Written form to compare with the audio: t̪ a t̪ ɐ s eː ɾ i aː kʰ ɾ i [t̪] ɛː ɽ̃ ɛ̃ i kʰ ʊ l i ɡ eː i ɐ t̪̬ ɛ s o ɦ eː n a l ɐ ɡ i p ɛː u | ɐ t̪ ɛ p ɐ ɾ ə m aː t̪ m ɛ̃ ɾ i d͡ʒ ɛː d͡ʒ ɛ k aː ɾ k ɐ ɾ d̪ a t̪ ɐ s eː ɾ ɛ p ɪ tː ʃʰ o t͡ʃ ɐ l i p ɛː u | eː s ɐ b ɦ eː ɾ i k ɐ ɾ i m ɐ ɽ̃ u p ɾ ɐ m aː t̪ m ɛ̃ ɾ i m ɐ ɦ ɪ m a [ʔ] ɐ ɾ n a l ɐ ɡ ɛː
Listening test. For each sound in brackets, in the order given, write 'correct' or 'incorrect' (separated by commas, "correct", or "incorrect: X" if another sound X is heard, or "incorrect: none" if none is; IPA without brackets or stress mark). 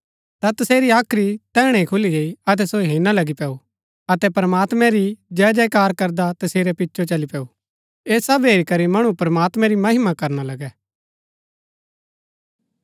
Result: correct, incorrect: k